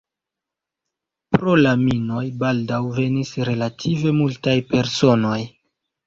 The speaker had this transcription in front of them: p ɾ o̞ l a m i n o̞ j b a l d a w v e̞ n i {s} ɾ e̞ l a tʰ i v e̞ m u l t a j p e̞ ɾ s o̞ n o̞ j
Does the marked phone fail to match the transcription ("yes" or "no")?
no